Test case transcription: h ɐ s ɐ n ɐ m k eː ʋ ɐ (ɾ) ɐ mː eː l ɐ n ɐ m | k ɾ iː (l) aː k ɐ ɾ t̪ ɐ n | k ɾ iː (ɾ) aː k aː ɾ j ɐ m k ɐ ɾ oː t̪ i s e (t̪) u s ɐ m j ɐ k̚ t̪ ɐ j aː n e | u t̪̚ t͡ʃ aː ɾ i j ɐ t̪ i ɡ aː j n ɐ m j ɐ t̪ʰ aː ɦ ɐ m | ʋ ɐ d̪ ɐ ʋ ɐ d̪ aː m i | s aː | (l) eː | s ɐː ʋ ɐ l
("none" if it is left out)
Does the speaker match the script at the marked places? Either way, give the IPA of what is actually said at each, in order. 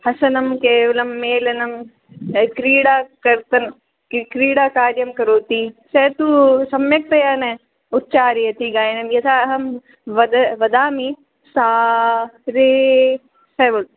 l, ɽ, ɽ, t̪, ɾ

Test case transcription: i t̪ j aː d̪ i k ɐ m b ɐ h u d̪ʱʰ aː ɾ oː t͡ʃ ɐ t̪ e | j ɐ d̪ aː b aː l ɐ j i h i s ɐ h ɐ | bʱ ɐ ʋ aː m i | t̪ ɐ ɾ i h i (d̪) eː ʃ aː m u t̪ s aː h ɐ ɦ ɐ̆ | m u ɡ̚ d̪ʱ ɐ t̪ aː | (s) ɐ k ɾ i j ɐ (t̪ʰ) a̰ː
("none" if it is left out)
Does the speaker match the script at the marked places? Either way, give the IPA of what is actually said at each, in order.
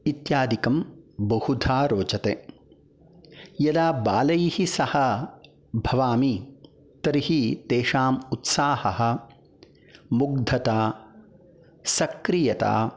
t̪, s, t̪

